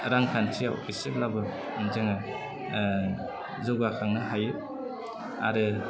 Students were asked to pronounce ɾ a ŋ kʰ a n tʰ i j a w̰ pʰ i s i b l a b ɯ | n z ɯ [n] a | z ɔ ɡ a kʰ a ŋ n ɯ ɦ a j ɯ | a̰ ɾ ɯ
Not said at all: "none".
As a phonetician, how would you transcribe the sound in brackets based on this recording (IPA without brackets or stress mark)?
ŋ